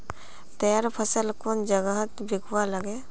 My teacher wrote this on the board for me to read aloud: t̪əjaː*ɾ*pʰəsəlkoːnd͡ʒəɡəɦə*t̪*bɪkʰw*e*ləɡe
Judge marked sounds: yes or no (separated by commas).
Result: yes, yes, no